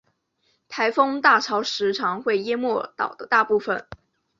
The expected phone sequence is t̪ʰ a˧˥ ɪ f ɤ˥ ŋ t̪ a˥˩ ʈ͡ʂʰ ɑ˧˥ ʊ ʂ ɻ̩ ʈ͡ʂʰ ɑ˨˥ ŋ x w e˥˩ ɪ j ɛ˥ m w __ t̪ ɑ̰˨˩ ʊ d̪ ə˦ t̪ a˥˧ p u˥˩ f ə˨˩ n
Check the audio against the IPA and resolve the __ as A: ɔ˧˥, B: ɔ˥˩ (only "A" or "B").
B